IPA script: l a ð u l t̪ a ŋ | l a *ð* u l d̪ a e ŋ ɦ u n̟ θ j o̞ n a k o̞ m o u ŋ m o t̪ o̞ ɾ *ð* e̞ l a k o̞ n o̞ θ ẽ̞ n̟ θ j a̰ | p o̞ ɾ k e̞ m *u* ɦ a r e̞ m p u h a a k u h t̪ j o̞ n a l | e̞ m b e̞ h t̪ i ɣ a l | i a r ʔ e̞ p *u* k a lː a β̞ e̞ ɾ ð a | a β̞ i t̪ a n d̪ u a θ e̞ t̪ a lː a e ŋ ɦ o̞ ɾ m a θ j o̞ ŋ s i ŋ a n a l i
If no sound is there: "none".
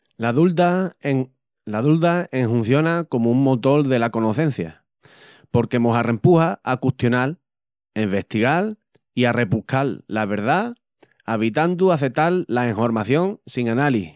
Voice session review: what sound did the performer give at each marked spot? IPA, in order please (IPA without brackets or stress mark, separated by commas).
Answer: ð, ð, o, u